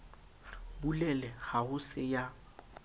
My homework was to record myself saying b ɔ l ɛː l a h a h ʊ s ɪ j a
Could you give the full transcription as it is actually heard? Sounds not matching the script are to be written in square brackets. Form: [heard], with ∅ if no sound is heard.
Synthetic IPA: b [u] l [ɛ] l [ɛ] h a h ʊ s ɪ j a